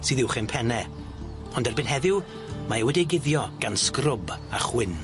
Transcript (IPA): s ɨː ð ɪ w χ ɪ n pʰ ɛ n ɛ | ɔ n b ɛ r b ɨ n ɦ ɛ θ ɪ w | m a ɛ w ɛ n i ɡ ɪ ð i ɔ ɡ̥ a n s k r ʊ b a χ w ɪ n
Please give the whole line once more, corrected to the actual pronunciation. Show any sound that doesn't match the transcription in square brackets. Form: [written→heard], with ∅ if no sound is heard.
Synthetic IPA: s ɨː ð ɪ w χ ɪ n pʰ ɛ n ɛ | ɔ n [b→d] ɛ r b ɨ n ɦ ɛ [θ→ð] ɪ w | m a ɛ w ɛ [n→d] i ɡ ɪ ð [i→j] ɔ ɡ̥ a n s k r ʊ b a χ w ɪ n